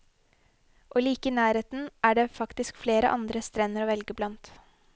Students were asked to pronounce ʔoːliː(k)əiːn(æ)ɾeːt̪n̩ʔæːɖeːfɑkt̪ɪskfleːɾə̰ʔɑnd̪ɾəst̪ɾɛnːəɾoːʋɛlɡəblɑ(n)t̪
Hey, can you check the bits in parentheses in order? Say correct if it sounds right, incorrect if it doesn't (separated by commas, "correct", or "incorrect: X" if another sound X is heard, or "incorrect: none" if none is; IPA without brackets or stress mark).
correct, incorrect: æː, correct